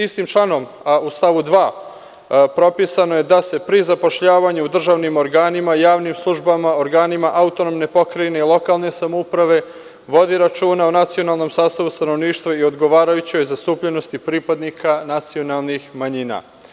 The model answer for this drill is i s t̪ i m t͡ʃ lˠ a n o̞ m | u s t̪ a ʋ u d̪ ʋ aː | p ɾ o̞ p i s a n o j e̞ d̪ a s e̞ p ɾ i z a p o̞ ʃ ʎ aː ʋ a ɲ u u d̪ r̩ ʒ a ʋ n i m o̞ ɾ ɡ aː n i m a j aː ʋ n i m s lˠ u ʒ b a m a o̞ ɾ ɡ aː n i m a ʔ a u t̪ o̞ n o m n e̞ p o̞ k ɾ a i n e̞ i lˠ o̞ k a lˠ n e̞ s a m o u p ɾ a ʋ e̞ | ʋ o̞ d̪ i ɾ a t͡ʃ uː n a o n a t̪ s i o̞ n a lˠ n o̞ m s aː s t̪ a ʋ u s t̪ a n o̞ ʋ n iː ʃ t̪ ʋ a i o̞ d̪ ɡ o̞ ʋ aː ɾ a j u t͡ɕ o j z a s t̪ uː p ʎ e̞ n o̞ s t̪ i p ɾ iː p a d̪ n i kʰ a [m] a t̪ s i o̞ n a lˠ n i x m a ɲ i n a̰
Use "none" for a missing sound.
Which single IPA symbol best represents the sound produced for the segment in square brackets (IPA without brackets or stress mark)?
n